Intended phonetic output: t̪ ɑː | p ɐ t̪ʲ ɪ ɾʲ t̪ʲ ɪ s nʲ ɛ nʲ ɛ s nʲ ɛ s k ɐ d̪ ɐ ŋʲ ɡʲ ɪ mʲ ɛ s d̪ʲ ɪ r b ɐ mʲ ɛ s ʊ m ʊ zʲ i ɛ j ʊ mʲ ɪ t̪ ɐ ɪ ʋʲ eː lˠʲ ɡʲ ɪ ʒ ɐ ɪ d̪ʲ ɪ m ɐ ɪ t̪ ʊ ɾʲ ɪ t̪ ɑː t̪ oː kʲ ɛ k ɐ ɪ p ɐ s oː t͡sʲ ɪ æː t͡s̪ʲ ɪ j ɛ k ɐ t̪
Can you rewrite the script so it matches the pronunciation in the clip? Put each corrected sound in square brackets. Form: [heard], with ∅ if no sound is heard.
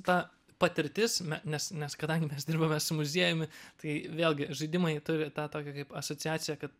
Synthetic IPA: t̪ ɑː | p ɐ t̪ʲ ɪ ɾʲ t̪ʲ ɪ s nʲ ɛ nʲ ɛ s nʲ ɛ s k ɐ d̪ ɐ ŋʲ ɡʲ ɪ mʲ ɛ s d̪ʲ ɪ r b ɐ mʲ ɛ s ʊ m ʊ zʲ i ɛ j ʊ mʲ ɪ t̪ ɐ ɪ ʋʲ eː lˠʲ ɡʲ ɪ ʒ ɐ ɪ d̪ʲ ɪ m ɐ ɪ t̪ ʊ ɾʲ ɪ t̪ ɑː t̪ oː kʲ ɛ k ɐ ɪ p ɐ s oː t͡sʲ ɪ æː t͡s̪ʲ ɪ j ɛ k ɐ t̪